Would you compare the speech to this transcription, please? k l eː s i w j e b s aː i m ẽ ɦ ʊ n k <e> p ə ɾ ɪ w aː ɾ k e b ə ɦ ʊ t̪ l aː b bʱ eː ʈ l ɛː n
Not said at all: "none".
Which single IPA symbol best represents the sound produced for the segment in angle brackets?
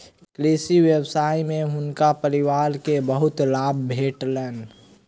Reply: a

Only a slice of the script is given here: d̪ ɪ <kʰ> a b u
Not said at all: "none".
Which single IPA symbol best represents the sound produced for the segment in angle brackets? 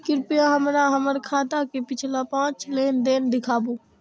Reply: kʰ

